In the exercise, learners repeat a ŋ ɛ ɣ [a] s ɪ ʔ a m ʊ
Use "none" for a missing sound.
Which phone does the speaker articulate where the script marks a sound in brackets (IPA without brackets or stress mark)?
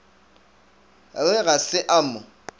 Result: a